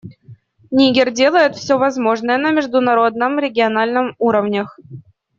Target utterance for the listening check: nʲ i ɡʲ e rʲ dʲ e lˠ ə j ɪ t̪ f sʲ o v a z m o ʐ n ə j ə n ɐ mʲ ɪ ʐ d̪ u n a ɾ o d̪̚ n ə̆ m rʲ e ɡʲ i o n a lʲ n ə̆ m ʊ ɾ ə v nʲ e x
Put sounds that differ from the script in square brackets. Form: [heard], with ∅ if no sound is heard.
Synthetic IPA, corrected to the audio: nʲ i ɡʲ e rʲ dʲ e lˠ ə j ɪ t̪ f sʲ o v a z m o ʐ n ə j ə n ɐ mʲ ɪ ʐ d̪ u n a ɾ o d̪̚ n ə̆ m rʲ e ɡʲ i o n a lʲ n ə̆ m [u] ɾ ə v nʲ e x